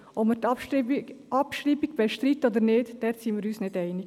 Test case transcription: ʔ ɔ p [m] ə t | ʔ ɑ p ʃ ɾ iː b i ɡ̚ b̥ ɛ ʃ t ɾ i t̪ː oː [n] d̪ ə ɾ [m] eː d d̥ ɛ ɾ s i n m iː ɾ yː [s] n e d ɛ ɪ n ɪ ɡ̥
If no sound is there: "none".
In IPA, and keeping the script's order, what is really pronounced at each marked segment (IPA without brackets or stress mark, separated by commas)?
m, none, n, s